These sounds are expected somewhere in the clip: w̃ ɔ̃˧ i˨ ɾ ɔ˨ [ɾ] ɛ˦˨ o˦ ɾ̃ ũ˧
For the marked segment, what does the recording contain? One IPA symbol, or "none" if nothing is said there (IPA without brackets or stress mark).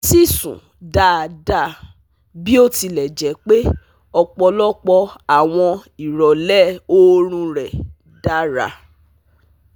l